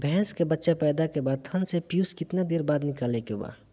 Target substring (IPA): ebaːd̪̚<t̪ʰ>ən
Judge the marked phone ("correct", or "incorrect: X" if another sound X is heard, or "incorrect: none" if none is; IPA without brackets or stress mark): correct